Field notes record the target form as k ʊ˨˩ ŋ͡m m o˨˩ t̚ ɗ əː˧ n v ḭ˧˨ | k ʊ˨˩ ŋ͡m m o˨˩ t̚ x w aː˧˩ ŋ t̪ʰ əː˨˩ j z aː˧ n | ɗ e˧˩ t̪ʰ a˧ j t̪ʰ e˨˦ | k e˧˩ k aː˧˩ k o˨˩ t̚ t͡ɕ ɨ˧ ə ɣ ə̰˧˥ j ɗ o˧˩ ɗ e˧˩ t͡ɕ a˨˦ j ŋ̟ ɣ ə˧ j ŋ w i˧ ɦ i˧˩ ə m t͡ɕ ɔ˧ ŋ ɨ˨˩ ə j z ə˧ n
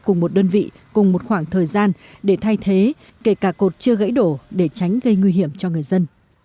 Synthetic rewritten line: k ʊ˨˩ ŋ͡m m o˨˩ t̚ ɗ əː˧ n v ḭ˧˨ | k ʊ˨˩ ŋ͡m m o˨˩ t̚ x w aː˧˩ ŋ t̪ʰ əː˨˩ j z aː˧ n | ɗ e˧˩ t̪ʰ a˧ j t̪ʰ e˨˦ | k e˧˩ k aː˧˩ k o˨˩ t̚ t͡ɕ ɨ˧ ə ɣ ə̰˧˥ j ɗ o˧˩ ɗ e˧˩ t͡ɕ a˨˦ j ŋ̟ ɣ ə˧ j ŋ w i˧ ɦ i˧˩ ə m t͡ɕ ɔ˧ ŋ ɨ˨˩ ə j z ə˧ n